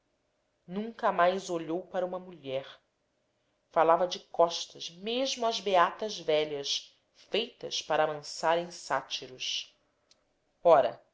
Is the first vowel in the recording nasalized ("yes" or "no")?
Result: yes